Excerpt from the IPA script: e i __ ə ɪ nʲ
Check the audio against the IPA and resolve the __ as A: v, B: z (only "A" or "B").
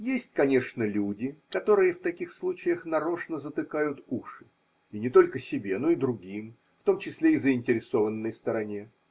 B